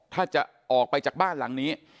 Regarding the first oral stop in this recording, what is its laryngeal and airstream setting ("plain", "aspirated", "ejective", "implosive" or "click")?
aspirated